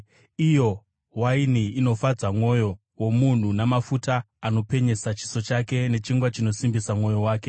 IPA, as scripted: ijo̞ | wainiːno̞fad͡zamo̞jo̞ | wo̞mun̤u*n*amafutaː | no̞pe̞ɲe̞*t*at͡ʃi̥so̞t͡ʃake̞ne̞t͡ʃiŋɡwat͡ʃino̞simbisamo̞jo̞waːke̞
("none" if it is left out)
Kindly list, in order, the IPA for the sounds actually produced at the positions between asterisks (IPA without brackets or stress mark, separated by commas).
n, s